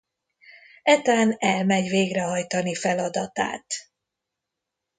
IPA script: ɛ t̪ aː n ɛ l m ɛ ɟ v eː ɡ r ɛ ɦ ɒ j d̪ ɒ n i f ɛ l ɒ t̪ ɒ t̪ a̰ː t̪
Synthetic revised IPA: ɛ t̪ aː n ɛ l m ɛ ɟ v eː ɡ r ɛ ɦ ɒ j t̪ ɒ n i f ɛ l ɒ d̪ ɒ t̪ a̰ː t̪